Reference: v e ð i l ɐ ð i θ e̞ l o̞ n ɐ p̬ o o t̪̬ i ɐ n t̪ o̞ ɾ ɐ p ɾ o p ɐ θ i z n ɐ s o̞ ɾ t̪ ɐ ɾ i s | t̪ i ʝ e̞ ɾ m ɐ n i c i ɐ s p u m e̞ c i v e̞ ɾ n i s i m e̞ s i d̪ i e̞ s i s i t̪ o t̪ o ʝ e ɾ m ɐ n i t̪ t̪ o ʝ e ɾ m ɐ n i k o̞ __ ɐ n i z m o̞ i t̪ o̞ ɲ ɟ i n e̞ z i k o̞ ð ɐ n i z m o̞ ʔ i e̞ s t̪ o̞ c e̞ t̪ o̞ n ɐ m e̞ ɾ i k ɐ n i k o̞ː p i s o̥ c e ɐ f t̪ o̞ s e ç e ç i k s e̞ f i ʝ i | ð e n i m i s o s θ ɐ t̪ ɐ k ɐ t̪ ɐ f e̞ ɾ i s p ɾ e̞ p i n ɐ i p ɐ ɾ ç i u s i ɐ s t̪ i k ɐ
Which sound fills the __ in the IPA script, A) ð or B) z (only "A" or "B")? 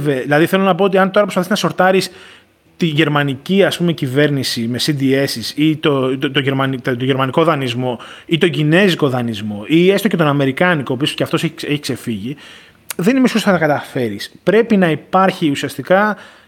A